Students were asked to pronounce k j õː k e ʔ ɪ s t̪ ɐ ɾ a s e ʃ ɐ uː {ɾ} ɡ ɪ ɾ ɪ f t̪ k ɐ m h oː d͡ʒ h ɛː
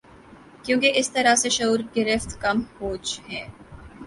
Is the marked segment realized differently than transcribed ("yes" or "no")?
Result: no